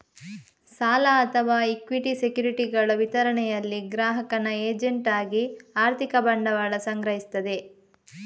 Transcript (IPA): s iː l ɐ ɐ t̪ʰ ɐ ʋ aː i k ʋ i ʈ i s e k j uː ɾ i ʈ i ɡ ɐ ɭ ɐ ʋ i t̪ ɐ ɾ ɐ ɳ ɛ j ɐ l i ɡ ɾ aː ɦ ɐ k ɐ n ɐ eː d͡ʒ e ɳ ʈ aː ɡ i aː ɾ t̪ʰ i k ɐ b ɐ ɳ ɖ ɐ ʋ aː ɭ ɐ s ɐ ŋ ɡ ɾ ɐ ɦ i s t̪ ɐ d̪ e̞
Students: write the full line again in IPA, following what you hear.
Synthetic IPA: s aː l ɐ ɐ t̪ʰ ɐ ʋ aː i k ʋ i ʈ i s e k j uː ɾ i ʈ i ɡ ɐ ɭ ɐ ʋ i t̪ ɐ ɾ ɐ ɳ ɛ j ɐ lː i ɡ ɾ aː ɦ ɐ k ɐ n ɐ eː d͡ʒ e ɳ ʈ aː ɡ i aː ɾ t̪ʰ i k ɐ b ɐ ɳ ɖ ɐ ʋ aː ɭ ɐ s ɐ ŋ ɡ ɾ ɐ ɦ i s t̪ ɐ d̪ e̞